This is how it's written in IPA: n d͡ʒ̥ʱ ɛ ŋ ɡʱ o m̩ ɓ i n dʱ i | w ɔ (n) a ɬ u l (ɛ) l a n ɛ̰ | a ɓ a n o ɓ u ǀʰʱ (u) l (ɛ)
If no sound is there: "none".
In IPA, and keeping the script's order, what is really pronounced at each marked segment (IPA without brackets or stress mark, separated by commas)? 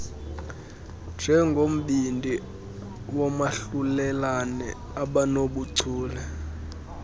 m, ɛ, uː, ɛ